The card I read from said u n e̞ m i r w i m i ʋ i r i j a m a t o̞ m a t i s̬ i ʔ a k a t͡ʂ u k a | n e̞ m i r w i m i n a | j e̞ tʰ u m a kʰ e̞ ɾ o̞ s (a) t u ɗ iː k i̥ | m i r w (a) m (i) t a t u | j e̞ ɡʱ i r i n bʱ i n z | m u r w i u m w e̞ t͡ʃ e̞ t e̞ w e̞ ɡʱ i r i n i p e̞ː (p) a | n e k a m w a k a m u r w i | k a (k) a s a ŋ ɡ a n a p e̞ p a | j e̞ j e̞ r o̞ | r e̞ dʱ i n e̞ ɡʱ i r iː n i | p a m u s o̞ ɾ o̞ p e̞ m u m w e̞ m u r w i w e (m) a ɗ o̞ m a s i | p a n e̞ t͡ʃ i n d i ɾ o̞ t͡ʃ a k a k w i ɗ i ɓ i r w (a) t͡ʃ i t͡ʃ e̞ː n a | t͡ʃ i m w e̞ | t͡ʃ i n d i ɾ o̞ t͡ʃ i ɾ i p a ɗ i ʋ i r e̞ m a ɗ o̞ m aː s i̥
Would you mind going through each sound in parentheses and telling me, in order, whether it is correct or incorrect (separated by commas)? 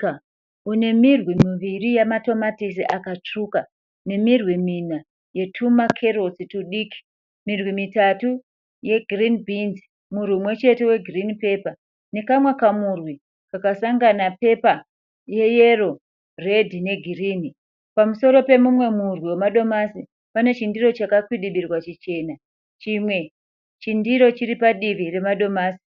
incorrect, incorrect, correct, correct, correct, correct, correct